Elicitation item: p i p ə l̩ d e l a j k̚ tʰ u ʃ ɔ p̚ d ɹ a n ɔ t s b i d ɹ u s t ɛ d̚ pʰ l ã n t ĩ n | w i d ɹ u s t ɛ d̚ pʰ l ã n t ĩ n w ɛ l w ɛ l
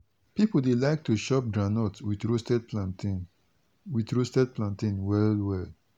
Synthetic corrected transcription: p i p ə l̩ d e l a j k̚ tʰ u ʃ ɔ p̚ d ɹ a n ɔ t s w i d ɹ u s t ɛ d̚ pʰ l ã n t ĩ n | w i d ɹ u s t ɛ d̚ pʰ l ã n t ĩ n w ɛ l w ɛ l